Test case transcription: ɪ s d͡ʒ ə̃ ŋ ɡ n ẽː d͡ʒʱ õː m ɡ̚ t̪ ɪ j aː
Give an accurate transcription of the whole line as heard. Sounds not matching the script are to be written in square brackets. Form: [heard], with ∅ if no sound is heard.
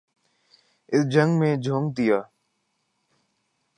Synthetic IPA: ɪ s d͡ʒ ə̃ ŋ ɡ [m] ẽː d͡ʒʱ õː [ŋ] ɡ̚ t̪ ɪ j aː